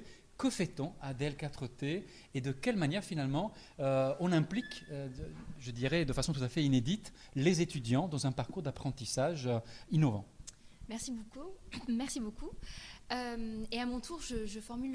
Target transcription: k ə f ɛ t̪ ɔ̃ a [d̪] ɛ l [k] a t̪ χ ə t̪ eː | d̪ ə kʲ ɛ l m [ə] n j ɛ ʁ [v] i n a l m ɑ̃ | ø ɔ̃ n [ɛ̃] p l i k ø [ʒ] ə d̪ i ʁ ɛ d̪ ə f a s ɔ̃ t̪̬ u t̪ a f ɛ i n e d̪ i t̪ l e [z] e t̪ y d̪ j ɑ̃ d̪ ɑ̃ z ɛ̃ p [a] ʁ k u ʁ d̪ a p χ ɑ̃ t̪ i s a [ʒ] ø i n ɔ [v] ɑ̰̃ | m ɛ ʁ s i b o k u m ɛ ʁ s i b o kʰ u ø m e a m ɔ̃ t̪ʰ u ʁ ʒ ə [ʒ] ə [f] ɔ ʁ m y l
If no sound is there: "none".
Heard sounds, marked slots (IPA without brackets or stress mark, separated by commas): d̪, k, a, f, ɛ̃, ʒ, z, a, ʒ, v, ʒ, f